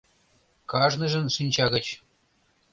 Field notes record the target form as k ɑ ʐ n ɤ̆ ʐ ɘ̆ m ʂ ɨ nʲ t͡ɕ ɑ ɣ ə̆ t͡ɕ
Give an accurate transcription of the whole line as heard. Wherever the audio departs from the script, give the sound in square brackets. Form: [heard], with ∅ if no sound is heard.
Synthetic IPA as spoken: k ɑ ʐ n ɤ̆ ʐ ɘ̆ [n] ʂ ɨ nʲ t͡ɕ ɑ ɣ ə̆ t͡ɕ